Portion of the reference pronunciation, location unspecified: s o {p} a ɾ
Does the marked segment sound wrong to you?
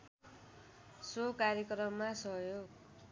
yes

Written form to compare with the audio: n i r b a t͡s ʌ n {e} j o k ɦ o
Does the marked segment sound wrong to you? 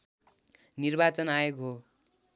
yes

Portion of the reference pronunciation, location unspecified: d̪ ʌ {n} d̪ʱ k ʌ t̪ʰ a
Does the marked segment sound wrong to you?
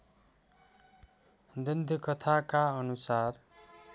no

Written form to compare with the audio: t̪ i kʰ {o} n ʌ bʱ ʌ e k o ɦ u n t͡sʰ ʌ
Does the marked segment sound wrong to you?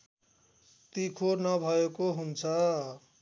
no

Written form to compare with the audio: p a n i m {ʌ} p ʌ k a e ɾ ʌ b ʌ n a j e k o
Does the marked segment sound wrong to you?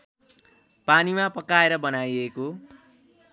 yes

